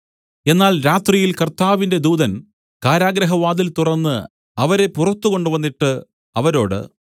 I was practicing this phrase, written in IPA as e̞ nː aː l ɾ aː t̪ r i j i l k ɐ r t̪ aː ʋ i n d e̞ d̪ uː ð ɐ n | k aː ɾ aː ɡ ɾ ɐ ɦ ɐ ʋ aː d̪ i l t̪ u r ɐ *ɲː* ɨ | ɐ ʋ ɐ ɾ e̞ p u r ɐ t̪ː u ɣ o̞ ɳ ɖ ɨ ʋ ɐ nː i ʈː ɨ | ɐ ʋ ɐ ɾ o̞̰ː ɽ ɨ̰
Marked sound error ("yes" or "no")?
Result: yes